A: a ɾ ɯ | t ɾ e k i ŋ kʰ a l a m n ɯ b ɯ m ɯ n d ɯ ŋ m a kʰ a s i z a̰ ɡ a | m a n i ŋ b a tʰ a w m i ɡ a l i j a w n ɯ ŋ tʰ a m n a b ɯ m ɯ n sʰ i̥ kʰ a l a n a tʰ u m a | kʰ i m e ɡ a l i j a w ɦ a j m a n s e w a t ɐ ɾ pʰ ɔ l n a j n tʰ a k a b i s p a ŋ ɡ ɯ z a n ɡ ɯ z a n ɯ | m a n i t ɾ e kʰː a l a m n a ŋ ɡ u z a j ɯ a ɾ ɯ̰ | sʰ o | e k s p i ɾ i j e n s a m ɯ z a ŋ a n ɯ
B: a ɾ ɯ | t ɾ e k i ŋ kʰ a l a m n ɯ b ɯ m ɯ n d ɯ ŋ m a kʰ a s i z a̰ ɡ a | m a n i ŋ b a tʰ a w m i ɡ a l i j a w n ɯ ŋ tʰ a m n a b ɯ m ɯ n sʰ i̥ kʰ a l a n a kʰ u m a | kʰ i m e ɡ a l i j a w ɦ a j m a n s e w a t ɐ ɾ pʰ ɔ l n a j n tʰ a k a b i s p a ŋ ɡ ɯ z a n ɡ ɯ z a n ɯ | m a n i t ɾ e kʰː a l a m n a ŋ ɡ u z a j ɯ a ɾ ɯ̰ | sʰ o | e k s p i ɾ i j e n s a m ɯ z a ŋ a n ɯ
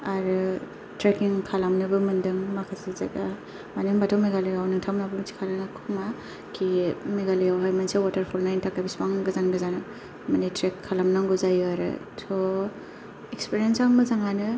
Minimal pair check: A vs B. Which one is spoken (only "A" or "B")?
B